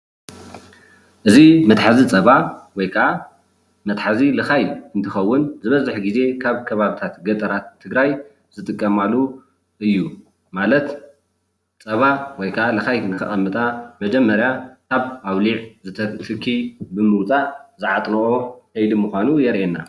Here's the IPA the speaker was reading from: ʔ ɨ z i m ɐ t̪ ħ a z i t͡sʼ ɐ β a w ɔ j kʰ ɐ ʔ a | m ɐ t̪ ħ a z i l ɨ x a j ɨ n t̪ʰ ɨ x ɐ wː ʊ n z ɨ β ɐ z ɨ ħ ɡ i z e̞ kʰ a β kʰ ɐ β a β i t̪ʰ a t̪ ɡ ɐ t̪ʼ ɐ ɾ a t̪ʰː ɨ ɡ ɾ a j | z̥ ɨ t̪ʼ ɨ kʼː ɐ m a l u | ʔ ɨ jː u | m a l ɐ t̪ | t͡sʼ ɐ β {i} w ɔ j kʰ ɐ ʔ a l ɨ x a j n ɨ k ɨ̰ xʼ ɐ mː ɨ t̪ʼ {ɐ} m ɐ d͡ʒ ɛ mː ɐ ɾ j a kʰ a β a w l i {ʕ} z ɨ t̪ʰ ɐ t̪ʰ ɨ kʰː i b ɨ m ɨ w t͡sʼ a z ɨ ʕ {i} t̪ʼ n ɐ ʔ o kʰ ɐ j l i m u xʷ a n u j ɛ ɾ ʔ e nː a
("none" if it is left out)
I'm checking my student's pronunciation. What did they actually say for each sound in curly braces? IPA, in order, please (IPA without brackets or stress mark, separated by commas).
a, a, ʕ, a